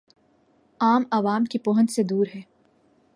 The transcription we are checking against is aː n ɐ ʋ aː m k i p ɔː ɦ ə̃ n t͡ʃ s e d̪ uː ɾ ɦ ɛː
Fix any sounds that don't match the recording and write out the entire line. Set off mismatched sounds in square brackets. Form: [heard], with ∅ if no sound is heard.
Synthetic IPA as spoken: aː [m] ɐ ʋ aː m k i p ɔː ɦ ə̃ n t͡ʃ s e d̪ uː ɾ ɦ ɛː